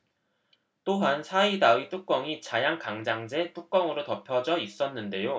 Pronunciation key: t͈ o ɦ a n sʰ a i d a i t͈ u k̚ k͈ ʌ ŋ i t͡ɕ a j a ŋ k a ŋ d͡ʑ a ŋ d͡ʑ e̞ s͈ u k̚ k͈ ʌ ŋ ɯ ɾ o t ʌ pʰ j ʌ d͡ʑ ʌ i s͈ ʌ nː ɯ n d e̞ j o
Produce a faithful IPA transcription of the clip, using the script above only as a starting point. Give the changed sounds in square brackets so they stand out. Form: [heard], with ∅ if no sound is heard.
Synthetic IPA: t͈ o ɦ a n sʰ a i d a i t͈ u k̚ k͈ ʌ ŋ i t͡ɕ a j a ŋ k a ŋ d͡ʑ a ŋ d͡ʑ e̞ [t͈] u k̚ k͈ ʌ ŋ ɯ ɾ o t ʌ pʰ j ʌ d͡ʑ ʌ i s͈ ʌ nː ɯ n d e̞ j o